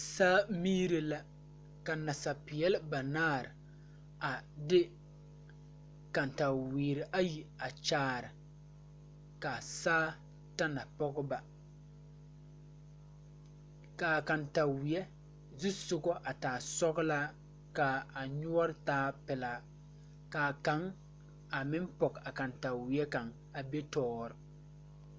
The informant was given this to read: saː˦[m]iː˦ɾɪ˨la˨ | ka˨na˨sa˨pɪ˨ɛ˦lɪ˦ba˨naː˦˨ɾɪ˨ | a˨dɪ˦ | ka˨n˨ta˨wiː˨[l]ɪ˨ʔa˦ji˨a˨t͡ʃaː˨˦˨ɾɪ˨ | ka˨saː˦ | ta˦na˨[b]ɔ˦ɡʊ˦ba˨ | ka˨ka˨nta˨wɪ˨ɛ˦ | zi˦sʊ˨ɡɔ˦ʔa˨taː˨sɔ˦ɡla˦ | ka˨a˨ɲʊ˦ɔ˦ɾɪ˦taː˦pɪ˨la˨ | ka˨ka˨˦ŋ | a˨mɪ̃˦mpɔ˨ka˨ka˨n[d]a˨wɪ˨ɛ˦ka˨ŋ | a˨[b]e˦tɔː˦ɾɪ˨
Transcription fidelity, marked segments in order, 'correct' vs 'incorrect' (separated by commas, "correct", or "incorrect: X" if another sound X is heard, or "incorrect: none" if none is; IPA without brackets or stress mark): correct, incorrect: ɾ, incorrect: p, incorrect: t, correct